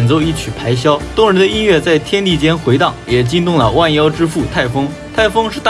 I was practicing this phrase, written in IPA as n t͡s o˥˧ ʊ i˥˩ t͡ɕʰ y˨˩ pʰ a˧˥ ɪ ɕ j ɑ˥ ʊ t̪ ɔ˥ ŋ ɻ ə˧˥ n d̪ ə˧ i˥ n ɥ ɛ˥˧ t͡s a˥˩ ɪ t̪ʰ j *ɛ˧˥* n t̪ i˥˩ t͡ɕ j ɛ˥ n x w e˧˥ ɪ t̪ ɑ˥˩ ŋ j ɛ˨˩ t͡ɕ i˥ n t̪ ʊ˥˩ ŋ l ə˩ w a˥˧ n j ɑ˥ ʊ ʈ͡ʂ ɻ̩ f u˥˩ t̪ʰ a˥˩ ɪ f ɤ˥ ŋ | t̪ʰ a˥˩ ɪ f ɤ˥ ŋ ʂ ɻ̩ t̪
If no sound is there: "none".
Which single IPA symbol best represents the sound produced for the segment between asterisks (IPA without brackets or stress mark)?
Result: ɛ˥